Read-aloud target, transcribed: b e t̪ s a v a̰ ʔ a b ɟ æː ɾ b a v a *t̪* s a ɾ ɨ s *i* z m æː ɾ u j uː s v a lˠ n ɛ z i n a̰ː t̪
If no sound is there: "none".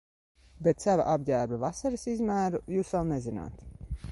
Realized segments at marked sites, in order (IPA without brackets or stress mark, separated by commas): none, i